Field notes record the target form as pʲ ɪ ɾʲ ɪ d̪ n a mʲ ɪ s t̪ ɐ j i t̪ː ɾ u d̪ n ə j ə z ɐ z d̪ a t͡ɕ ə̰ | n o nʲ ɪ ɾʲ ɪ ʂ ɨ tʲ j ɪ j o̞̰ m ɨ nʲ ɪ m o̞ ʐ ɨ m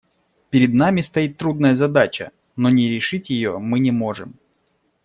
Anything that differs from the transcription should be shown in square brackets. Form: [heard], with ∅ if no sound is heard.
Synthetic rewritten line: pʲ ɪ ɾʲ ɪ d̪ n a mʲ ɪ s t̪ ɐ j i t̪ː ɾ u d̪ n ə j ə z ɐ [∅] d̪ a t͡ɕ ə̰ | n o nʲ ɪ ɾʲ ɪ ʂ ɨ tʲ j ɪ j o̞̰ m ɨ nʲ ɪ m o̞ ʐ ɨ m